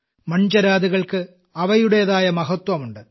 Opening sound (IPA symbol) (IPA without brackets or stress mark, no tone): m